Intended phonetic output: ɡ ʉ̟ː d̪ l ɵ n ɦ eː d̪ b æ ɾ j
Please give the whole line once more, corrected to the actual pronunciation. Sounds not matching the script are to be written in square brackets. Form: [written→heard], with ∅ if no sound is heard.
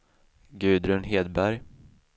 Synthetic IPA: ɡ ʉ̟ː d̪ [l→ɾ] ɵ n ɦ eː d̪ b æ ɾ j